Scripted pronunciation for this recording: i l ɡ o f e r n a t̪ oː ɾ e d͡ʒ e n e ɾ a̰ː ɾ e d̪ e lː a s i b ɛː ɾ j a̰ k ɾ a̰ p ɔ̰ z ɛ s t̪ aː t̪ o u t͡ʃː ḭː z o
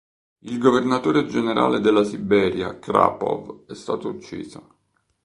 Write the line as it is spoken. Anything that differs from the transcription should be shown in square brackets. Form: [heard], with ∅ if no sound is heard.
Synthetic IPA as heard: i l ɡ o [v] e r n a t̪ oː ɾ e d͡ʒ e n e ɾ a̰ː [l] e d̪ e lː a s i b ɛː ɾ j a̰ k ɾ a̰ p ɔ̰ [v] ɛ s t̪ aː t̪ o u t͡ʃː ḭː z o